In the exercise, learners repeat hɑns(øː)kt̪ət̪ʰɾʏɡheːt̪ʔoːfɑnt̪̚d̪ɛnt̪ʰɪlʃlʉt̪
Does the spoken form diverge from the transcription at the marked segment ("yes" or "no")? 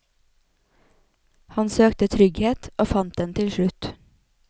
no